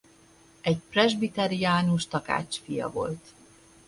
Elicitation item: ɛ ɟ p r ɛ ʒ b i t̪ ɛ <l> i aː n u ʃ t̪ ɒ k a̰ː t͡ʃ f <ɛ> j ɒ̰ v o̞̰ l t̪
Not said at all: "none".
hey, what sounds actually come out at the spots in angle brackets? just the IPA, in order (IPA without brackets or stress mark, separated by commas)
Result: ɾ, i